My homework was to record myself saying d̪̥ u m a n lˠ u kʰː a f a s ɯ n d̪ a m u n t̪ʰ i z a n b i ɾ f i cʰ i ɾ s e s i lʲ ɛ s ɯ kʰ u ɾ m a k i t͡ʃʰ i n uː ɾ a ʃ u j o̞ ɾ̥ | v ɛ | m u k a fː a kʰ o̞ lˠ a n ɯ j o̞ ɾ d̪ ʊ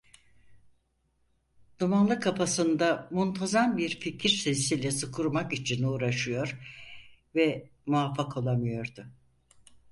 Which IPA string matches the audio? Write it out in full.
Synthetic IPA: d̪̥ u m a n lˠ ɯ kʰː a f a s ɯ n d̪ a m u n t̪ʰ a z a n b i ɾ f i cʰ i ɾ s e s i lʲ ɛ s ɯ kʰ u ɾ m a k i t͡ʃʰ i n uː ɾ a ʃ ɯ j o̞ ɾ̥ | v ɛ | m u a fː a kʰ o̞ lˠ a m ɯ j o̞ ɾ d̪ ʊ